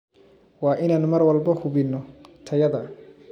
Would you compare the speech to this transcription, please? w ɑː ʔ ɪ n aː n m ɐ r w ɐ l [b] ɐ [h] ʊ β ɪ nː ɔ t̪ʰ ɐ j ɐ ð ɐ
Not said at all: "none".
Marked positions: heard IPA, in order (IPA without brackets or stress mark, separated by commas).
b, h